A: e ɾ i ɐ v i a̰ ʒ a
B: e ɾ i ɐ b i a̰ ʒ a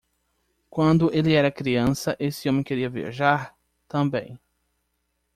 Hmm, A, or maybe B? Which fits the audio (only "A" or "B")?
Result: A